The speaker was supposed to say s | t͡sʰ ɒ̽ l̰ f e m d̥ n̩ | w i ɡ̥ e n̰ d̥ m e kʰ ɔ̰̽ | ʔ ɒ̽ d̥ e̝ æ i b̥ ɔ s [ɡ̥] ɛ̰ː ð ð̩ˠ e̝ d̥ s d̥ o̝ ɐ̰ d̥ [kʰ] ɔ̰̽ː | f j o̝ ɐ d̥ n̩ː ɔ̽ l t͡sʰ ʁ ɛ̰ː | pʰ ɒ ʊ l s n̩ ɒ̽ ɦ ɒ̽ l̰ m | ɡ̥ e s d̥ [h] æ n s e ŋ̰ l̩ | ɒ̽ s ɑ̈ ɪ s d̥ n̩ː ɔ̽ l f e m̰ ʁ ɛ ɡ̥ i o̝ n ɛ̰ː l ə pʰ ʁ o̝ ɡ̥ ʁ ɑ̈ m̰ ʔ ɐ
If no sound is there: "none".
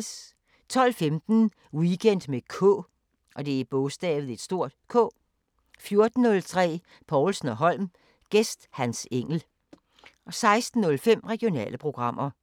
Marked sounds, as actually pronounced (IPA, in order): d̥, kʰ, h

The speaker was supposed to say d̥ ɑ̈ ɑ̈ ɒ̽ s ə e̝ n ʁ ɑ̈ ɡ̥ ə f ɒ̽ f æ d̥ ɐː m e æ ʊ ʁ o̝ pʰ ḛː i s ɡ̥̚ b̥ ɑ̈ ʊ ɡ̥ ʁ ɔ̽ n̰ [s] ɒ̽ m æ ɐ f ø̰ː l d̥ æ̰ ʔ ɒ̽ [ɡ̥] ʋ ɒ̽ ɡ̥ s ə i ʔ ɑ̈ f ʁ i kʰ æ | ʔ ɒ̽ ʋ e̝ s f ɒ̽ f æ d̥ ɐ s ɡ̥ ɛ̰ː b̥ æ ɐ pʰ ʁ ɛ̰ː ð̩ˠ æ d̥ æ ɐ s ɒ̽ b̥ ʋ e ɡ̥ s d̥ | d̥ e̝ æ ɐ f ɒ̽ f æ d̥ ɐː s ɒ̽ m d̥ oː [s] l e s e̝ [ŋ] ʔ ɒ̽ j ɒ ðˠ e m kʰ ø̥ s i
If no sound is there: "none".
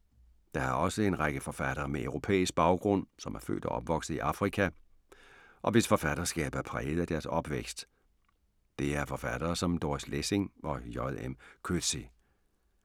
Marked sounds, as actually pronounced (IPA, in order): s, b̥, s, ŋ

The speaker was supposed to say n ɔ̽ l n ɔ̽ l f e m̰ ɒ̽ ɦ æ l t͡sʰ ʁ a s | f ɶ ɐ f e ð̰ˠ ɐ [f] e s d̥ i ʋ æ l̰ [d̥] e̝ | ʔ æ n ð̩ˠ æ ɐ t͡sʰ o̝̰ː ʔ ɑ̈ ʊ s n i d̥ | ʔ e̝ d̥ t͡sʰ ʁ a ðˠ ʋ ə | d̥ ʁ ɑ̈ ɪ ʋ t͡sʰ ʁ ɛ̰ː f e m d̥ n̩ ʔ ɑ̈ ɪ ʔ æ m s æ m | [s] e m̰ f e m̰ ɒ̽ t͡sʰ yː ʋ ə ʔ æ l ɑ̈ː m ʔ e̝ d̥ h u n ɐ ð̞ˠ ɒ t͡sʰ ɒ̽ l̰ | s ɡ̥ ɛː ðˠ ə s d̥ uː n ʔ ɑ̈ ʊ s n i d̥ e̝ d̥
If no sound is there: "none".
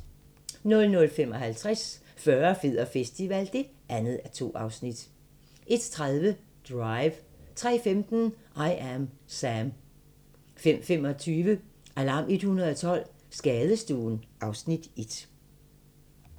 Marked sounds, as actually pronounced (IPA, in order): f, d̥, f

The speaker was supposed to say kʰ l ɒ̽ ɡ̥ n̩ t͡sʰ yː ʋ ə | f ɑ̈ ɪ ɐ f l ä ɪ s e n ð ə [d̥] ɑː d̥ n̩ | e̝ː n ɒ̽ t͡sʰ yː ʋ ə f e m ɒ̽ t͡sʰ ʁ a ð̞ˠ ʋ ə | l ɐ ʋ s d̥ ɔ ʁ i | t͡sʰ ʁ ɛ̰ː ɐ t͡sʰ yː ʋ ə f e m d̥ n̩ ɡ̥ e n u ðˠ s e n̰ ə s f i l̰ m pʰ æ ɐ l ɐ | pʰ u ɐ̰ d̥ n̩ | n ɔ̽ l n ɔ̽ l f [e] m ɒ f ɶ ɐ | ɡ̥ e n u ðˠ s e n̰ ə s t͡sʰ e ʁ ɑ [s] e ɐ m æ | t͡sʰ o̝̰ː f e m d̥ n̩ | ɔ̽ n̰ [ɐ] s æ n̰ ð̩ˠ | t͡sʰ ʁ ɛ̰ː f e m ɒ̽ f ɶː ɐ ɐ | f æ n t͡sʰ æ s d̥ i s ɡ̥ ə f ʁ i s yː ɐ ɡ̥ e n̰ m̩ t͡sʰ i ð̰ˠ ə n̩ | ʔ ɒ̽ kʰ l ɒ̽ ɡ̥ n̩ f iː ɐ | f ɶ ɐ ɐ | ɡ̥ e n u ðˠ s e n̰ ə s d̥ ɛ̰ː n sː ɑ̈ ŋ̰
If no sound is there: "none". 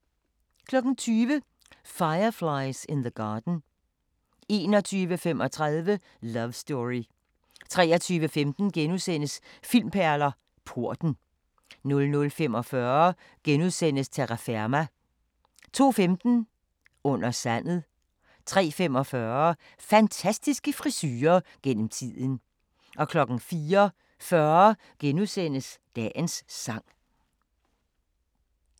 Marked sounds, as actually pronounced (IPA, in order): ɡ̥, e, f, ɐ

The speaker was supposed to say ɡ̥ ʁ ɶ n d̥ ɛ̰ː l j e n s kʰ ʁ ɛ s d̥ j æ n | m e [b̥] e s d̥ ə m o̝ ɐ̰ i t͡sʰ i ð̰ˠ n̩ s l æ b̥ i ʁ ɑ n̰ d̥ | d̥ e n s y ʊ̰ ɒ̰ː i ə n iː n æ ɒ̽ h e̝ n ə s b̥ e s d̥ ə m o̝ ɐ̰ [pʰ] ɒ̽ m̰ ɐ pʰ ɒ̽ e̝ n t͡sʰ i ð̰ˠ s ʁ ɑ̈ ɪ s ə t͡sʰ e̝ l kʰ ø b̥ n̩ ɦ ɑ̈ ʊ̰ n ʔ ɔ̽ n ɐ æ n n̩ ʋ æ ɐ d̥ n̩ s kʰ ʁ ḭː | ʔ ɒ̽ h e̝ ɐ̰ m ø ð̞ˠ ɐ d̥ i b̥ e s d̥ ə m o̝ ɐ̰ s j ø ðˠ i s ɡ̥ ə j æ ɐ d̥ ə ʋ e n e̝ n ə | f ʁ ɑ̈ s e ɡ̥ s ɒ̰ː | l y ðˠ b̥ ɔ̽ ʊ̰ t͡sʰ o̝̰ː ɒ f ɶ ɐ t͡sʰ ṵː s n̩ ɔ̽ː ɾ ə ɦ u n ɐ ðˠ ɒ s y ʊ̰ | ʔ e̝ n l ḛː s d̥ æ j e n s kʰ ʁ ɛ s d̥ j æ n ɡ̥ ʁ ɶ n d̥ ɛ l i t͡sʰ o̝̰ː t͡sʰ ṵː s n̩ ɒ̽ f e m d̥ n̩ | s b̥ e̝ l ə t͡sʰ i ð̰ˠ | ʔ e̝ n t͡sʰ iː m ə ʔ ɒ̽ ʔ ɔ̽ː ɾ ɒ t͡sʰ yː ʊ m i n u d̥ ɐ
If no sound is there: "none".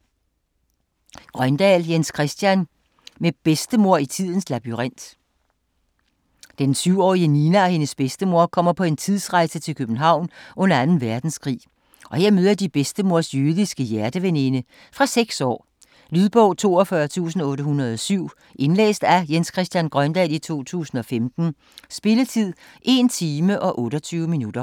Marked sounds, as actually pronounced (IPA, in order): b̥, kʰ

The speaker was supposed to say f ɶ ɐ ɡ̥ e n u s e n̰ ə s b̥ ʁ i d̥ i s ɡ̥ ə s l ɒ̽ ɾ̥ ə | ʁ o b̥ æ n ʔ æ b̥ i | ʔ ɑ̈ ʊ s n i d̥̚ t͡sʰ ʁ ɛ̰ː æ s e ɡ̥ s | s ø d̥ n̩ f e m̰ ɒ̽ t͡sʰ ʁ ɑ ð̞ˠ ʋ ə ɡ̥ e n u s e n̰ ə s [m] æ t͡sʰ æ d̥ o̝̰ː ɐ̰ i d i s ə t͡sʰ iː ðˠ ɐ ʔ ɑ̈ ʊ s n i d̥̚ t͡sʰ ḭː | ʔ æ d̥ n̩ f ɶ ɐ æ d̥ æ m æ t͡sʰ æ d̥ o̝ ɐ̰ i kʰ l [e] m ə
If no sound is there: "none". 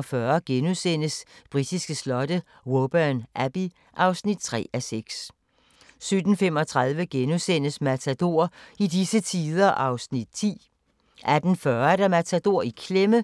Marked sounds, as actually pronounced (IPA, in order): m, e

